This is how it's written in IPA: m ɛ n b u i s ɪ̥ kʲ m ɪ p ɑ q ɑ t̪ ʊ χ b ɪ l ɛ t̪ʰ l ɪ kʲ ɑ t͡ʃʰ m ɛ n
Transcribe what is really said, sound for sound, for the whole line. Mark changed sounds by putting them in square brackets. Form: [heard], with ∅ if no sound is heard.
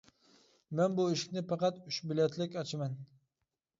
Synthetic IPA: m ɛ n b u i [ʃ] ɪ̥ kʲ [n] ɪ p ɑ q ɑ t̪ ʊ [ʃ] b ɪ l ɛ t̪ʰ l ɪ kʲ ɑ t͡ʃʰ m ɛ n

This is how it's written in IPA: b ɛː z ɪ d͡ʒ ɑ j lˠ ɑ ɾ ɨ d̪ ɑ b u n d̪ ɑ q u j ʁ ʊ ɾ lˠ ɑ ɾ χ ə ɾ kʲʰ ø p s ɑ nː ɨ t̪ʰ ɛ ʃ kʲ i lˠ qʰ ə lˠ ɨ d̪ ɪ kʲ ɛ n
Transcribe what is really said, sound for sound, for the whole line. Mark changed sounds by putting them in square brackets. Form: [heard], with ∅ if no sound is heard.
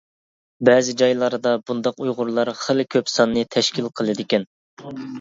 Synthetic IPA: b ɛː z ɪ d͡ʒ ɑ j lˠ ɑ ɾ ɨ d̪ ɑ b u n d̪ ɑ q u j ʁ ʊ ɾ lˠ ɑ ɾ χ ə [l] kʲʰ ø p s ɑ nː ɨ t̪ʰ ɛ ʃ kʲ i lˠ qʰ ə lˠ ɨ d̪ ɪ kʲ ɛ n

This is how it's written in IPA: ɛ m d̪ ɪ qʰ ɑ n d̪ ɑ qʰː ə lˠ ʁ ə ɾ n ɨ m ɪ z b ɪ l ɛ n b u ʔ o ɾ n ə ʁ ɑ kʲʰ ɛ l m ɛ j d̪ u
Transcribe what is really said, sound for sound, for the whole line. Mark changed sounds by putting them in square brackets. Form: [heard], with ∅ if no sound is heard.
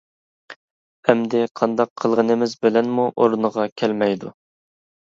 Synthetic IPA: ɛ m d̪ ɪ qʰ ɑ n d̪ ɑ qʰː ə lˠ ʁ ə [∅] n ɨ m ɪ z b ɪ l ɛ n [m] u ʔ o ɾ n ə ʁ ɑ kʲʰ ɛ l m ɛ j d̪ u

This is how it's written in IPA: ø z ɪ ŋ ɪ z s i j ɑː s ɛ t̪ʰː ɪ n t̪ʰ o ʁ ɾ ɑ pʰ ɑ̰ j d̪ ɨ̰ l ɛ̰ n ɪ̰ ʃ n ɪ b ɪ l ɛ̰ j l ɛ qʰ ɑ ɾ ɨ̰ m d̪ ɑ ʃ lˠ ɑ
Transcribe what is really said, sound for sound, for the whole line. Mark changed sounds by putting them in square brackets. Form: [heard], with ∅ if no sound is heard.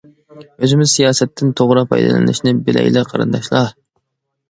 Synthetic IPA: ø z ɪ [m] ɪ z s i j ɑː s ɛ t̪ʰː ɪ n t̪ʰ o ʁ ɾ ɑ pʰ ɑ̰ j d̪ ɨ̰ l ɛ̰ n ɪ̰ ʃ n ɪ b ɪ l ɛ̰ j l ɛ qʰ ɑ ɾ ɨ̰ [n] d̪ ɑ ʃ lˠ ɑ

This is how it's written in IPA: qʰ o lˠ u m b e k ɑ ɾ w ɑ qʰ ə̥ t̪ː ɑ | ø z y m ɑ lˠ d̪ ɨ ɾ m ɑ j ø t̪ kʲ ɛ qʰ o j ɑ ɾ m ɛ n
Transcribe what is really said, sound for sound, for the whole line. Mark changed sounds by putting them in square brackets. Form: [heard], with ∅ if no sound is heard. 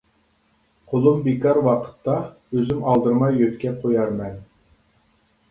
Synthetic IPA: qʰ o lˠ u m b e k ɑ ɾ w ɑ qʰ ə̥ t̪ː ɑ | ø z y m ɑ lˠ d̪ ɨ ɾ m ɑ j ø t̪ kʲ ɛ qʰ o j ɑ ɾ m ɛ n

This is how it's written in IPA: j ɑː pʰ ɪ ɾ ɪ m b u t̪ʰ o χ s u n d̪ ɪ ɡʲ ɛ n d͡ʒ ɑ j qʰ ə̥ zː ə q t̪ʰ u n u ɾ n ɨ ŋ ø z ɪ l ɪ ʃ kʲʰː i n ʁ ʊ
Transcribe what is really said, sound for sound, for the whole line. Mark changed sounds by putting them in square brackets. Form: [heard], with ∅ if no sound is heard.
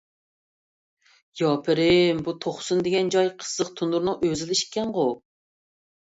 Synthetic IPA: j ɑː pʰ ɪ ɾ ɪ m b u t̪ʰ o χ s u n d̪ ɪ ɡʲ ɛ n d͡ʒ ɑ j qʰ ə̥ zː ə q t̪ʰ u n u ɾ n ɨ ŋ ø z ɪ l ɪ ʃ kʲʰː [ɛ] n ʁ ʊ

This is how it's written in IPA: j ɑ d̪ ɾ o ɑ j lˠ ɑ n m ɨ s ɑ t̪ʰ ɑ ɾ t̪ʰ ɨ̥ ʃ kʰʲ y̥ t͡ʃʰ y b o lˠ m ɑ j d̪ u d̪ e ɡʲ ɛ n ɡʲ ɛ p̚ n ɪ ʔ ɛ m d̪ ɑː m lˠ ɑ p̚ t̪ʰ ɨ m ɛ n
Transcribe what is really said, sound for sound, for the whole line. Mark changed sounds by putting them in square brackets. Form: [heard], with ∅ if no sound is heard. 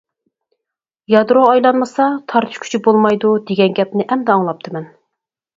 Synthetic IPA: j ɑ d̪ ɾ o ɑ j lˠ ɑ n m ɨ s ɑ t̪ʰ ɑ ɾ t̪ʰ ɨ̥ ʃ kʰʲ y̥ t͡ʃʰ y b o lˠ m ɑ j d̪ u d̪ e ɡʲ ɛ n ɡʲ ɛ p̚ n ɪ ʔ ɛ m d̪ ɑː [ŋ] lˠ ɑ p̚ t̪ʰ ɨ m ɛ n

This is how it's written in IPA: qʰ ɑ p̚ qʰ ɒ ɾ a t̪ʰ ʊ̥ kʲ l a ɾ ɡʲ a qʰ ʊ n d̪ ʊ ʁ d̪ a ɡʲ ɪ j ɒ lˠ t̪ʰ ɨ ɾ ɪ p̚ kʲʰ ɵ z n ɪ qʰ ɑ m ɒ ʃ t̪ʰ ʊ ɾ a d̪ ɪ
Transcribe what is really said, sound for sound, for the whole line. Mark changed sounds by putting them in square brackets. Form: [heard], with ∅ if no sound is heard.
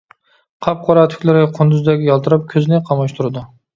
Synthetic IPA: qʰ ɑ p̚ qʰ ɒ ɾ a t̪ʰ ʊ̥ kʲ l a ɾ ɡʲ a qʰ ʊ n d̪ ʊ [z] d̪ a ɡʲ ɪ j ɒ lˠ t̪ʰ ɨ ɾ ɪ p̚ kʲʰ ɵ z n ɪ qʰ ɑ m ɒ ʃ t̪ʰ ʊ ɾ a d̪ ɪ

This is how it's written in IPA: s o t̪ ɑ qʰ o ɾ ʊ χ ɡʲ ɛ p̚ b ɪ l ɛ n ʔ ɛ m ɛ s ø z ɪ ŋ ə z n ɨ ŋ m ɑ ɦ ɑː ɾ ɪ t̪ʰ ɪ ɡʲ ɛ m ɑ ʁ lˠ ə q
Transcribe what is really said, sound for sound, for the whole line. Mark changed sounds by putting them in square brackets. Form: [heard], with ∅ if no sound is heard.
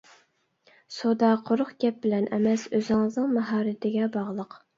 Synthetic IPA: s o [d̪] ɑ qʰ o ɾ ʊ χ ɡʲ ɛ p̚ b ɪ l ɛ n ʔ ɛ m ɛ s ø z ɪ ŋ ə z n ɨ ŋ m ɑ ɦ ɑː ɾ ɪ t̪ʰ ɪ ɡʲ ɛ [b] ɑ ʁ lˠ ə q

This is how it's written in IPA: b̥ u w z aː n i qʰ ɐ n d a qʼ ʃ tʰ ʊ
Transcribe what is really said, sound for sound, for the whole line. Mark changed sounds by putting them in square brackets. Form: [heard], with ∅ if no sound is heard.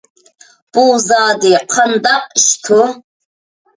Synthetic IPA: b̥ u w z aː [d] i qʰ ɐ n d a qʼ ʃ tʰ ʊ

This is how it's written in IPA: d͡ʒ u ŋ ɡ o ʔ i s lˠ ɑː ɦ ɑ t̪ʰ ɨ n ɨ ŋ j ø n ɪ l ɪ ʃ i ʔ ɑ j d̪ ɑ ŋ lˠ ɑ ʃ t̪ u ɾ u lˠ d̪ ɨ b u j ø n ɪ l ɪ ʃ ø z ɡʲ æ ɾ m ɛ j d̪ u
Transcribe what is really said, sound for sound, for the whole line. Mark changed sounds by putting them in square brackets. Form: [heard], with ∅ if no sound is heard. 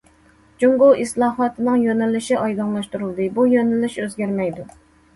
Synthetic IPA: d͡ʒ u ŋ ɡ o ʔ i s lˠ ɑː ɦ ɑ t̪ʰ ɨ n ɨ ŋ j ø n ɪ l ɪ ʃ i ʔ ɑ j d̪ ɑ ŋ lˠ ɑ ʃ t̪ u ɾ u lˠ d̪ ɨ b u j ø n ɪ l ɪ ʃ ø z ɡʲ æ ɾ m ɛ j d̪ u

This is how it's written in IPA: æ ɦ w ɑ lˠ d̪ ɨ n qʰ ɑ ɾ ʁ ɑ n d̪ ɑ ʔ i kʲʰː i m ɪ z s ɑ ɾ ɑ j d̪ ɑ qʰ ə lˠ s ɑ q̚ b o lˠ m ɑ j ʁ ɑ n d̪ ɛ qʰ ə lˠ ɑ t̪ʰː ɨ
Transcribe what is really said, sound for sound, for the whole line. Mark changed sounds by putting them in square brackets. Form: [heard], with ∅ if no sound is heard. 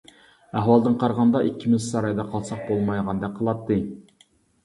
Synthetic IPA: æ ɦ w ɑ lˠ d̪ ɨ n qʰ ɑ ɾ ʁ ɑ n d̪ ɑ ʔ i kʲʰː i m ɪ z s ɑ ɾ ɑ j d̪ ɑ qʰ [ɑ] lˠ s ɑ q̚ b o lˠ m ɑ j ʁ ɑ n d̪ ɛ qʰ ə lˠ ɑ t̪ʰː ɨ

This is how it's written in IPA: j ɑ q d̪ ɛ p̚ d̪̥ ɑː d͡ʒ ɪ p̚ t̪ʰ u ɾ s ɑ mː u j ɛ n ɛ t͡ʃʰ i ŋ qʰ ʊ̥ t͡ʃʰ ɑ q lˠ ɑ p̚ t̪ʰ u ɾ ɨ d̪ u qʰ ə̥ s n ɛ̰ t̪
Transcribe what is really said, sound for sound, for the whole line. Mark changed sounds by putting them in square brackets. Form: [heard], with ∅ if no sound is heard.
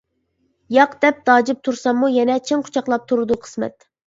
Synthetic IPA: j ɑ q d̪ ɛ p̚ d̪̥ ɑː d͡ʒ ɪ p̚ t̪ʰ u ɾ s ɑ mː u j ɛ n ɛ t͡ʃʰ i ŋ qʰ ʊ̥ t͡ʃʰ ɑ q lˠ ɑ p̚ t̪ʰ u ɾ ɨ d̪ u qʰ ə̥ s [m] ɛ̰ t̪

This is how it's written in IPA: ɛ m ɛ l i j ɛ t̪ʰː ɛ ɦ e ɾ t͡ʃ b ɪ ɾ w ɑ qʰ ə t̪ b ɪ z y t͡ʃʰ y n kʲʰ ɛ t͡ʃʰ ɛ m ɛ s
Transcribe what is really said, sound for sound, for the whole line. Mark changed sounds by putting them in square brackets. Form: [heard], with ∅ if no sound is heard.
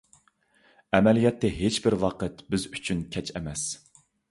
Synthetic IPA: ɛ m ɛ l i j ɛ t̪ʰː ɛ ɦ e [∅] t͡ʃ b ɪ ɾ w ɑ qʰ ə t̪ b ɪ z y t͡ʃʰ y n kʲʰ ɛ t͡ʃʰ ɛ m ɛ s

